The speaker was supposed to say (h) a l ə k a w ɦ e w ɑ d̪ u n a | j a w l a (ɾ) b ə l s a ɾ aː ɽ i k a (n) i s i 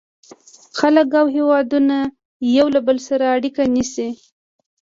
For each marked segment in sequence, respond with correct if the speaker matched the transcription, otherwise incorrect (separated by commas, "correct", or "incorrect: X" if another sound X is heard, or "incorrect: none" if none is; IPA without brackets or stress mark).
incorrect: x, incorrect: none, correct